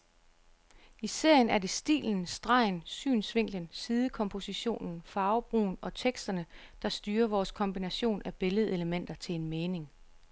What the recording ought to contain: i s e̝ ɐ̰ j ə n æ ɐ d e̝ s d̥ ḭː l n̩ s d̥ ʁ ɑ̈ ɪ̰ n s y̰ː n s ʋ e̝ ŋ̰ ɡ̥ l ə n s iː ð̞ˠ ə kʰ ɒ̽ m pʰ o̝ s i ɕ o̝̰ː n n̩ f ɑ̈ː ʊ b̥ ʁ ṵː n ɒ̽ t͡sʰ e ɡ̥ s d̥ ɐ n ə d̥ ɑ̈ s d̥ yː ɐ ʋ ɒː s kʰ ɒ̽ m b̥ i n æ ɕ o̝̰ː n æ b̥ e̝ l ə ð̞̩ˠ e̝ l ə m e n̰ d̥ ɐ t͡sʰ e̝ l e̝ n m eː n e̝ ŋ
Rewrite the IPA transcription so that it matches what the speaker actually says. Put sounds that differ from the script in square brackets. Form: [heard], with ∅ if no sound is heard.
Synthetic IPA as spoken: i s e̝ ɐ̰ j ə n æ ɐ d e̝ s d̥ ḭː l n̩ s d̥ ʁ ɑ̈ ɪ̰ n s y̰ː n s ʋ e̝ ŋ̰ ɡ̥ l ə n s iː ð̞ˠ ə kʰ ɒ̽ m pʰ o̝ s i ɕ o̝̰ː n n̩ f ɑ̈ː ʊ b̥ ʁ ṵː n ɒ̽ t͡sʰ e ɡ̥ s d̥ ɐ n ə d̥ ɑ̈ s d̥ yː ɐ ʋ ɒː s kʰ ɒ̽ m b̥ i n æ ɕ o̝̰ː n æ b̥ e̝ l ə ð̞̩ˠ e̝ l ə m e n̰ d̥ ɐ t͡sʰ e̝ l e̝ n m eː n e̝ ŋ